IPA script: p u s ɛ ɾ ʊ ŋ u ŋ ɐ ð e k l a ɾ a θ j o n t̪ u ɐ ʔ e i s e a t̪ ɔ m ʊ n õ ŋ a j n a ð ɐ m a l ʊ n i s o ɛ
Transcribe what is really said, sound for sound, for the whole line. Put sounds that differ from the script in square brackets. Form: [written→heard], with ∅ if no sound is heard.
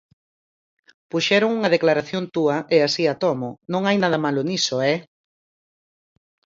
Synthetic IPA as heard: p u [s→ʃ] ɛ ɾ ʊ ŋ u ŋ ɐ ð e k l a ɾ a θ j o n t̪ u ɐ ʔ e [i→a] s [e→i] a t̪ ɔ m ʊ n õ ŋ a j n a ð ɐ m a l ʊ n i s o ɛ